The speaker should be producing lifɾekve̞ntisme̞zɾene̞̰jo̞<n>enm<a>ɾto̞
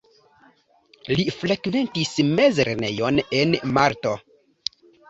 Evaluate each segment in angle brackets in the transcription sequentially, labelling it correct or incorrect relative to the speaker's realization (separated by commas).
correct, correct